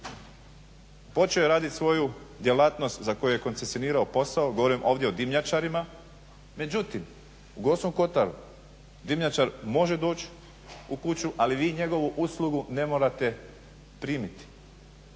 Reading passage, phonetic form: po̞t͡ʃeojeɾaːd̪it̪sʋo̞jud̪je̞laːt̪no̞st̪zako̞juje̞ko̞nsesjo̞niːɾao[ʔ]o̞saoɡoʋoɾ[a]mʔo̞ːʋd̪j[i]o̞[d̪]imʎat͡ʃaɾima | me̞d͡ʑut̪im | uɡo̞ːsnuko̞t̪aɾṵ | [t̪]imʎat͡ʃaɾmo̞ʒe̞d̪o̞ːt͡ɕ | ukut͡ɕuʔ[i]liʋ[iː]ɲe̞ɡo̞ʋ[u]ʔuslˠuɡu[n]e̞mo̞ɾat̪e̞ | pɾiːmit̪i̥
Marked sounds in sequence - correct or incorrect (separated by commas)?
incorrect, incorrect, incorrect, correct, incorrect, incorrect, correct, correct, correct